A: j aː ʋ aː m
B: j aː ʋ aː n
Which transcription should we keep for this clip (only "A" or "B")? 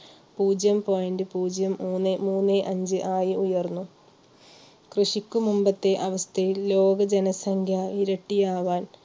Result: B